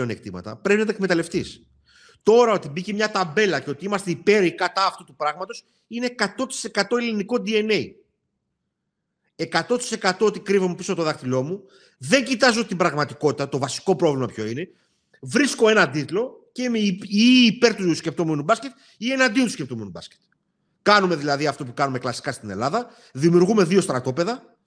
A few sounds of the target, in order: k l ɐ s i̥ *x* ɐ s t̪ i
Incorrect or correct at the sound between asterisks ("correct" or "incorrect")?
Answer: incorrect